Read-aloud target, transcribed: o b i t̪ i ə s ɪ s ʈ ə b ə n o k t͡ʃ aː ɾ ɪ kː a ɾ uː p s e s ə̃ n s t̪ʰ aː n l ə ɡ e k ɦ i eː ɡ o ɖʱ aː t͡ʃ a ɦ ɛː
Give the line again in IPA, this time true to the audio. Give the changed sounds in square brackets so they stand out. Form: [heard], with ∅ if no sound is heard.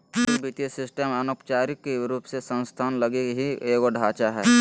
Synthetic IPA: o b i t̪ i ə s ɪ s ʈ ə [m] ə n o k t͡ʃ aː ɾ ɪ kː [e] ɾ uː p s e s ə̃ n s t̪ʰ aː n l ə ɡ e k ɦ i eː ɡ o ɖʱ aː t͡ʃ a ɦ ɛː